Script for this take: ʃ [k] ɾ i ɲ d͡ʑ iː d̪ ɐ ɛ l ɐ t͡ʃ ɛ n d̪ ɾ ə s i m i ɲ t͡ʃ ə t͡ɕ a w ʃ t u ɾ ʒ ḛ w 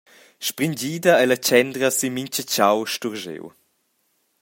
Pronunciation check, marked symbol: incorrect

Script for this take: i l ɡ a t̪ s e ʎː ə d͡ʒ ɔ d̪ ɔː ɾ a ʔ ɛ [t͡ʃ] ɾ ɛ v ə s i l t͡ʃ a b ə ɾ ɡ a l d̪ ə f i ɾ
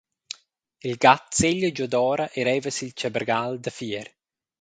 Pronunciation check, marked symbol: incorrect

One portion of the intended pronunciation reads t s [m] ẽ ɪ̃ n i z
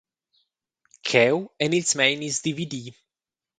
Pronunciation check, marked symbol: correct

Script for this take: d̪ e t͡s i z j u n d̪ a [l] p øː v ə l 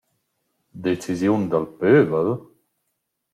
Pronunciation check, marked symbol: correct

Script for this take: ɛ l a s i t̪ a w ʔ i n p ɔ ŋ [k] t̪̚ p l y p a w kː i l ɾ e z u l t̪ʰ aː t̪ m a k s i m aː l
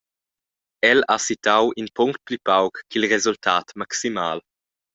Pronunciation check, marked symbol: correct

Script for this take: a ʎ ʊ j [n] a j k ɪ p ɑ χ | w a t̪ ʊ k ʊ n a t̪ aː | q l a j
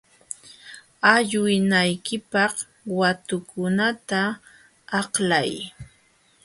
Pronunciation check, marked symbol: correct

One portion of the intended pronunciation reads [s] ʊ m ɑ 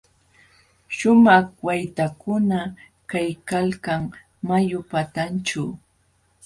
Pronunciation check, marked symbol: incorrect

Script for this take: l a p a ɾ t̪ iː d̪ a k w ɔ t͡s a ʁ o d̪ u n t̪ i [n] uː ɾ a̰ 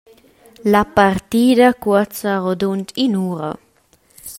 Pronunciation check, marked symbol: correct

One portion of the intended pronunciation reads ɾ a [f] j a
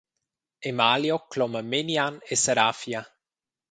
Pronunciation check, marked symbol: correct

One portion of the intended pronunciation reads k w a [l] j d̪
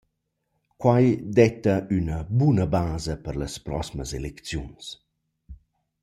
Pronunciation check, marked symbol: incorrect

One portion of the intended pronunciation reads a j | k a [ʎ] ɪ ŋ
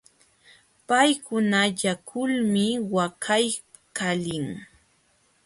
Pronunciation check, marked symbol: incorrect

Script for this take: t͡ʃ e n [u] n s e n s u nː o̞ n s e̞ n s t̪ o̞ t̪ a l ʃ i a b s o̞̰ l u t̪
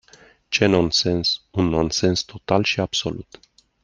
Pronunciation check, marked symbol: incorrect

